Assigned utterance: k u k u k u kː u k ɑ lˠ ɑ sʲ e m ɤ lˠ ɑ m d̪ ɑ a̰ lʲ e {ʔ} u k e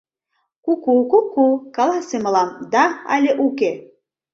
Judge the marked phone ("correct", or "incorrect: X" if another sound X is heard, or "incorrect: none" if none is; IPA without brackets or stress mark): correct